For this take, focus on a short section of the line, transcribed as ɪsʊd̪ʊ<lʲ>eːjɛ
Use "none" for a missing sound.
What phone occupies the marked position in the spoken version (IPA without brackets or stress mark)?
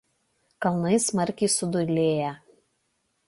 lʲ